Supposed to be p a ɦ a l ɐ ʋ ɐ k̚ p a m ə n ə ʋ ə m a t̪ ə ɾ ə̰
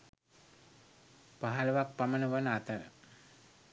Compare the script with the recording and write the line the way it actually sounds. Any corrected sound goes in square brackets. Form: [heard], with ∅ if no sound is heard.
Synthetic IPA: p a ɦ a l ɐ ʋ [a] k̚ p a m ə n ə ʋ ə [n] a t̪ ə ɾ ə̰